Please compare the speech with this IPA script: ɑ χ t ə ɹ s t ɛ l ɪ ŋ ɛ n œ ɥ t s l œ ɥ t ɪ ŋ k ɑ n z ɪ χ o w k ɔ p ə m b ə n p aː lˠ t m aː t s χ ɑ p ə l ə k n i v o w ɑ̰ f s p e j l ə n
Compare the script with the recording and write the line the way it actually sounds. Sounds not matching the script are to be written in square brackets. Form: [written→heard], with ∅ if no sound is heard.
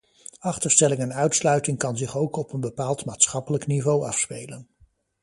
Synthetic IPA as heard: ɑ χ t ə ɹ s t ɛ l ɪ ŋ ɛ n œ ɥ t s l œ ɥ t ɪ ŋ k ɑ n z ɪ χ o w k ɔ p ə [m→n] b ə [n→∅] p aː lˠ t m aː t s χ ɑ p ə l ə k n i v o w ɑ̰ f s p e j l ə n